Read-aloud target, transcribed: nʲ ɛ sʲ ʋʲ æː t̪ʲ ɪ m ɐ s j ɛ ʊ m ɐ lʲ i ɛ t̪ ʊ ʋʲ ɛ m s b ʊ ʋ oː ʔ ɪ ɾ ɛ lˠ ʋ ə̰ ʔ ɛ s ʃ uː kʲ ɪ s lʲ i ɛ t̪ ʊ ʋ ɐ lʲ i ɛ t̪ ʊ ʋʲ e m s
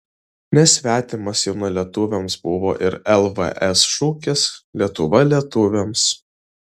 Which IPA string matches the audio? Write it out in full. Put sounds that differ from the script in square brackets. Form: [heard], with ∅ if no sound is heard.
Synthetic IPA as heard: nʲ ɛ sʲ ʋʲ æː t̪ʲ ɪ m ɐ s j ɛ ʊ [n] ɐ lʲ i ɛ t̪ ʊ ʋʲ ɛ m s b ʊ ʋ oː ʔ ɪ ɾ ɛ lˠ ʋ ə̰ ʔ ɛ s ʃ uː kʲ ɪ s lʲ i ɛ t̪ ʊ ʋ ɐ lʲ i ɛ t̪ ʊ ʋʲ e m s